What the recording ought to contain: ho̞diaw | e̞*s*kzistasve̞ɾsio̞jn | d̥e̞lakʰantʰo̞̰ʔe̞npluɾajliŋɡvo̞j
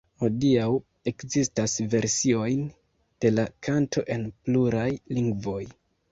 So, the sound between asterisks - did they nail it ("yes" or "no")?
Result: no